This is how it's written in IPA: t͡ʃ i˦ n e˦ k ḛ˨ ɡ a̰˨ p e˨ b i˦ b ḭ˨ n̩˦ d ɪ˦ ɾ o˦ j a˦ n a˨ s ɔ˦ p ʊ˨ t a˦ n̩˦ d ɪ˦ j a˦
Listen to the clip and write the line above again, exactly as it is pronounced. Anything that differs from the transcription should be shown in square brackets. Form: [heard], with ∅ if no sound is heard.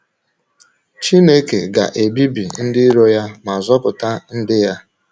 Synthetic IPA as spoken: t͡ʃ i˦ n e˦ k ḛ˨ ɡ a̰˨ [ʔ] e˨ b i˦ b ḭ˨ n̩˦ d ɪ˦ ɾ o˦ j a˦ [m] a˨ [z] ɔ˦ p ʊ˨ t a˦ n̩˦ d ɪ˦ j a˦